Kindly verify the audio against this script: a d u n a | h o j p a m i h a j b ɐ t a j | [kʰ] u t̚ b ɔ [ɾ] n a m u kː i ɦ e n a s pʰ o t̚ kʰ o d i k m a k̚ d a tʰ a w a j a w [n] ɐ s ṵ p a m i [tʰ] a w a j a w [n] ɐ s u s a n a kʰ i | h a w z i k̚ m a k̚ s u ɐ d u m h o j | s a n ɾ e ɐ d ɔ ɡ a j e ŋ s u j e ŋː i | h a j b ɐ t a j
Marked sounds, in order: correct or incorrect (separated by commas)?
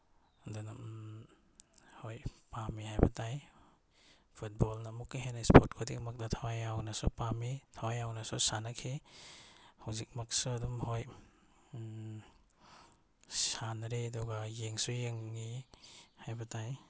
incorrect, incorrect, correct, correct, correct